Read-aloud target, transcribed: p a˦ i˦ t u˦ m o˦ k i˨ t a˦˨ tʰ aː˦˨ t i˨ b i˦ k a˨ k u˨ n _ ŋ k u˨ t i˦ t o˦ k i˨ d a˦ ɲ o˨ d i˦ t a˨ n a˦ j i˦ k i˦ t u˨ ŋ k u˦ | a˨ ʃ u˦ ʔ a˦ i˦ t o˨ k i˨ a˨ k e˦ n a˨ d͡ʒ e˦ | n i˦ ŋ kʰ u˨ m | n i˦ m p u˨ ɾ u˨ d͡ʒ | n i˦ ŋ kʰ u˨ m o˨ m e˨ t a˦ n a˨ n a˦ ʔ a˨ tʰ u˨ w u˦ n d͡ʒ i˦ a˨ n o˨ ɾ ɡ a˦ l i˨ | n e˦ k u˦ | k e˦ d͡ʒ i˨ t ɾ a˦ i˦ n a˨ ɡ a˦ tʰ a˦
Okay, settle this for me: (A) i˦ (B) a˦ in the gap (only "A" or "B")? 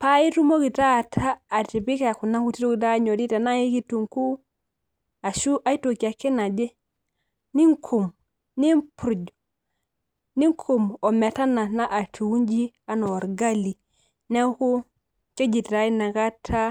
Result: B